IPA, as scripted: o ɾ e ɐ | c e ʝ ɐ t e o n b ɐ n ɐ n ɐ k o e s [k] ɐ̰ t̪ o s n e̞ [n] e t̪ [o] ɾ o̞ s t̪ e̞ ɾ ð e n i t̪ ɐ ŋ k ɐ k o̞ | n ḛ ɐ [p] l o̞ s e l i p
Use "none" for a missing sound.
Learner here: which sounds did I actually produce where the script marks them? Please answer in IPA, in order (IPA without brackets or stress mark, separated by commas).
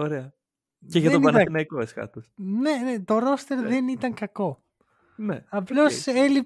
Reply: k, n, o, p